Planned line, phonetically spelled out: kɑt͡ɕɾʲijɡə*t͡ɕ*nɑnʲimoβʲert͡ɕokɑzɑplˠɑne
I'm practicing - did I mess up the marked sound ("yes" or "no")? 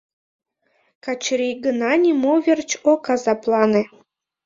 yes